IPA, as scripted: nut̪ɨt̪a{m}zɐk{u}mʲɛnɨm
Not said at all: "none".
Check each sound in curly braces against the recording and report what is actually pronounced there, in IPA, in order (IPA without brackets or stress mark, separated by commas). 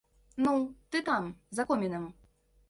m, ɔ